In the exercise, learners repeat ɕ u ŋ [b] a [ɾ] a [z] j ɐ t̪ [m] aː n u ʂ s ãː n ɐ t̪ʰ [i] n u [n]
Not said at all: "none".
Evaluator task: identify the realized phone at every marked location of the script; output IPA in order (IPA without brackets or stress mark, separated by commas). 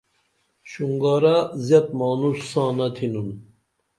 ɡ, ɾ, z, m, i, n